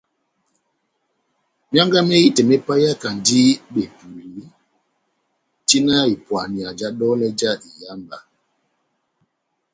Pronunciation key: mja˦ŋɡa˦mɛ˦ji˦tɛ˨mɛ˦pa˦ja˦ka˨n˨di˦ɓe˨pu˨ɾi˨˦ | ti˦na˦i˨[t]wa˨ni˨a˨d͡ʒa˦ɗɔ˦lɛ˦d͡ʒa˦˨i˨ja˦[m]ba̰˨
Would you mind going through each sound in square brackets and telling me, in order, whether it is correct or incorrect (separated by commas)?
incorrect, correct